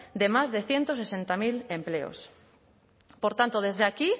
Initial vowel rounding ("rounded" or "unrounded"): unrounded